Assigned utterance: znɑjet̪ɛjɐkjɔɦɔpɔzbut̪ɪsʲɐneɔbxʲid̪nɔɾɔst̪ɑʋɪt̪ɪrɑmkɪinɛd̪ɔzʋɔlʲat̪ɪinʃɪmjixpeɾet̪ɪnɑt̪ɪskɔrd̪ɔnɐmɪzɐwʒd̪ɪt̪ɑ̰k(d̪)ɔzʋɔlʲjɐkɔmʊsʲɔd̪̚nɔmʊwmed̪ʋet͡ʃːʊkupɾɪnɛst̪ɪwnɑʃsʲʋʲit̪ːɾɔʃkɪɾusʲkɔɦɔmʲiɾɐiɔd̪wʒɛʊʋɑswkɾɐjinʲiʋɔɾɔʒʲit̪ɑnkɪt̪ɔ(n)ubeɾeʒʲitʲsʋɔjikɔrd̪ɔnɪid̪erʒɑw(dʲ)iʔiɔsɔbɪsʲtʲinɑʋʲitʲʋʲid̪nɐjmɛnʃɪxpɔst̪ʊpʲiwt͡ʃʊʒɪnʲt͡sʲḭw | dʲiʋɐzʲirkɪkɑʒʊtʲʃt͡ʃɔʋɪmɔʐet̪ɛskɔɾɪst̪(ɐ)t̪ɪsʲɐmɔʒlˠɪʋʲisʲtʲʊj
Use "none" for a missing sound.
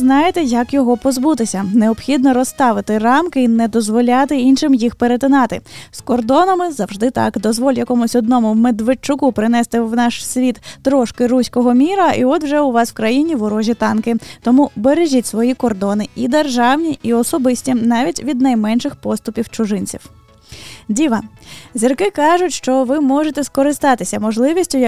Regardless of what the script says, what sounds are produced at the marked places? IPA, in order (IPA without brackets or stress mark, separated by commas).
d̪, m, nʲ, ɑ